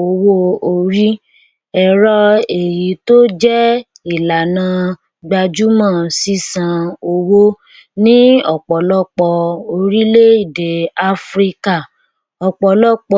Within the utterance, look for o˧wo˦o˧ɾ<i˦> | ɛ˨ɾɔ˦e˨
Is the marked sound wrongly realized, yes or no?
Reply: no